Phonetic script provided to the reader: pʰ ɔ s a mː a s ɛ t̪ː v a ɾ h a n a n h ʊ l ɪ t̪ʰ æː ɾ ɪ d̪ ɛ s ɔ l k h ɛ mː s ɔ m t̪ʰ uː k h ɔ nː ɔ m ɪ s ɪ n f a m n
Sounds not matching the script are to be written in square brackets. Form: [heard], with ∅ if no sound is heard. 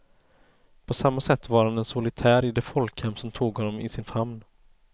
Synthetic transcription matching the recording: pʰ ɔ s a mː a s ɛ t̪ː v a ɾ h a n [ɛ] n [s] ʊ l ɪ t̪ʰ æː ɾ ɪ d̪ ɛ [f] ɔ l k h ɛ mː s ɔ m t̪ʰ uː [ɡ] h ɔ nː ɔ m ɪ s ɪ n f a m n